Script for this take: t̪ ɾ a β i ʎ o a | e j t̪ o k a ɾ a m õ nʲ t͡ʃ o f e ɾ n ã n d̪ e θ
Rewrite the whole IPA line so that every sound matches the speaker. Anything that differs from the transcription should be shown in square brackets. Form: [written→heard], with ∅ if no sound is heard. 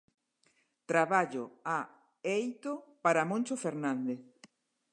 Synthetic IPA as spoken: t̪ ɾ a β [i→a] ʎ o a | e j t̪ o [k→p] a ɾ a m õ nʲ t͡ʃ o f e ɾ n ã n d̪ e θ